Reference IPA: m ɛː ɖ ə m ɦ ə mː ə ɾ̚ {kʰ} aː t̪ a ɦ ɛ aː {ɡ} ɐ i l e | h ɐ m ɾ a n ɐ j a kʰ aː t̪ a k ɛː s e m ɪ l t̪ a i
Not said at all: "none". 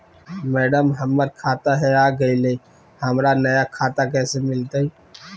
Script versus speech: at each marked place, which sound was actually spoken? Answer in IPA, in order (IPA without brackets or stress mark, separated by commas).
kʰ, ɡ